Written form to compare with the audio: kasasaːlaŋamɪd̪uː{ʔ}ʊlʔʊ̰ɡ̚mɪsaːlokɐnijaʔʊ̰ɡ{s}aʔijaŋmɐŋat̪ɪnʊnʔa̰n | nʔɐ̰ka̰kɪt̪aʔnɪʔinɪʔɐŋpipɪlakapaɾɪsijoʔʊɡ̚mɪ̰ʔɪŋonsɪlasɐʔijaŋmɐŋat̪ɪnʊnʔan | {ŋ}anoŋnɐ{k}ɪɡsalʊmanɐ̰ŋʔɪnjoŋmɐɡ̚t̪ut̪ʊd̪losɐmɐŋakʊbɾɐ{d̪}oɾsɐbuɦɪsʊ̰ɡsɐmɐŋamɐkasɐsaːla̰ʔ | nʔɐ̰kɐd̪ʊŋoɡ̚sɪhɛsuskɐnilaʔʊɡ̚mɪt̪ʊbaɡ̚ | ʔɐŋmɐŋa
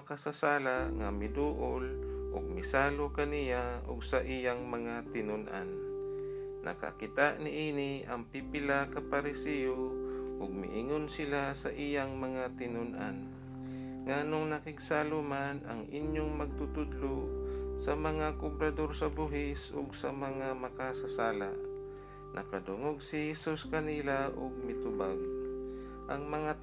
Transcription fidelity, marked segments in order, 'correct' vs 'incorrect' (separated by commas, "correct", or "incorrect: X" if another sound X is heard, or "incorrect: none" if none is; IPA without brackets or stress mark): correct, correct, correct, correct, correct